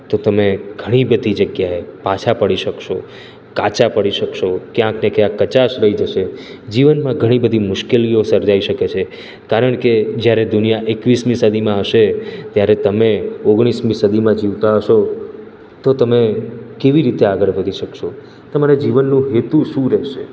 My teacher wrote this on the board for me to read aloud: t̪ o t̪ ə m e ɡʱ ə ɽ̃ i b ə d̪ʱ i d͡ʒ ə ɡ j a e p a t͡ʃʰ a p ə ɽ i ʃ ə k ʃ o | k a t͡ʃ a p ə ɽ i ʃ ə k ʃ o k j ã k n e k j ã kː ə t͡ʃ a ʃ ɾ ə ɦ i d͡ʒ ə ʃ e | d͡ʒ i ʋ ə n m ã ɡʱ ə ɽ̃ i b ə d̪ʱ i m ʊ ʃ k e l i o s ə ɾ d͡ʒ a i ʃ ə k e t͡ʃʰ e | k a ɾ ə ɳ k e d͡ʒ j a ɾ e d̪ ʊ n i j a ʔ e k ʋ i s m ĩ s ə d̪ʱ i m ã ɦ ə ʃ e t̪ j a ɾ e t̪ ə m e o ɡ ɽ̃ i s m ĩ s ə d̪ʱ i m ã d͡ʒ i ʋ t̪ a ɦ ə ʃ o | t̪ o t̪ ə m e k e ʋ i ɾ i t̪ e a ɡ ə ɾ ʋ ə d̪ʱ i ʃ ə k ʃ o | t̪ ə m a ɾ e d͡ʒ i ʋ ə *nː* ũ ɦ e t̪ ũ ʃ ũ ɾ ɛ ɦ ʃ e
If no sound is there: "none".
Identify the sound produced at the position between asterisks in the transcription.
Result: nː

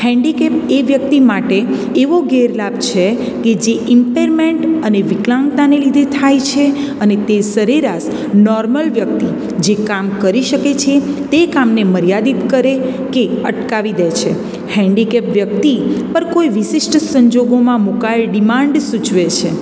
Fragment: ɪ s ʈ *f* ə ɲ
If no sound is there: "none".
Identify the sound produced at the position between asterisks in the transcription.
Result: s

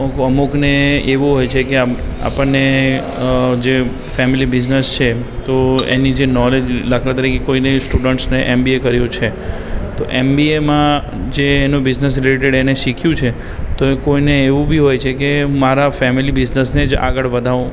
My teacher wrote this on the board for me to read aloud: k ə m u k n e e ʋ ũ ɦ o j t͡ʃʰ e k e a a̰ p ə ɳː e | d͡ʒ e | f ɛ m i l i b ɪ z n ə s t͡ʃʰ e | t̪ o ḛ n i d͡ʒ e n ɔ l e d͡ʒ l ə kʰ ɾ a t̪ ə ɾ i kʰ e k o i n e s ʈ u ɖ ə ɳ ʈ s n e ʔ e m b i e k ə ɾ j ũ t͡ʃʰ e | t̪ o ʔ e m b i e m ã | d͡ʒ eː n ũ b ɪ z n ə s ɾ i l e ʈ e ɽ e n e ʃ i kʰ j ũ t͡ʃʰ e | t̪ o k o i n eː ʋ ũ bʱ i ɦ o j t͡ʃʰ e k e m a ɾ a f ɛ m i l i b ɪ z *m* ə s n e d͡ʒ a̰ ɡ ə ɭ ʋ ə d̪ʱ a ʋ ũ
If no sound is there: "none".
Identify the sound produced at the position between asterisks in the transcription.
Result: n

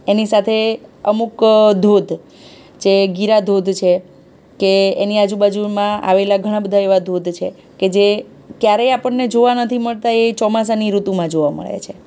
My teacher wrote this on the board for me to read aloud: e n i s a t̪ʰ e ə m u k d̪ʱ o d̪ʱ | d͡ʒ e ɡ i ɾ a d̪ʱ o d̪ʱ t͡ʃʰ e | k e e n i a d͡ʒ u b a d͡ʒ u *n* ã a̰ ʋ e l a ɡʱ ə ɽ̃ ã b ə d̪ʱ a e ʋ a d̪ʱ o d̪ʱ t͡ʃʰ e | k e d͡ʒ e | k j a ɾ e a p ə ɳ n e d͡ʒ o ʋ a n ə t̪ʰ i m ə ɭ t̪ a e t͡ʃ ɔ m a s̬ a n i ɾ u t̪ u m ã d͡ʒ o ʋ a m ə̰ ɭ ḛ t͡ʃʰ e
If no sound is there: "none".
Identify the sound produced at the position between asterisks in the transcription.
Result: m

